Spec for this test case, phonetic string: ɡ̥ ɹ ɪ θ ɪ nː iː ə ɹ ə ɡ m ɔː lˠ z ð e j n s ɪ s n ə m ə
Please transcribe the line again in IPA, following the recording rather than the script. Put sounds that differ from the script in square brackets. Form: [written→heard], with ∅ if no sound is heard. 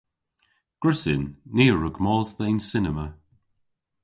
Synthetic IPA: ɡ̥ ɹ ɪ [θ→s] ɪ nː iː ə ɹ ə ɡ m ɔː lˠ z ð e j n s ɪ [s→∅] n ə m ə